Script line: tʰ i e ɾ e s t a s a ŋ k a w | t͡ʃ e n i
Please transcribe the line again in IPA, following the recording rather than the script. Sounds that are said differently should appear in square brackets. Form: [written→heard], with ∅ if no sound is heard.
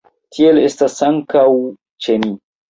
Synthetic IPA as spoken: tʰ i e [ɾ→l] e s t a s a ŋ k a w | t͡ʃ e n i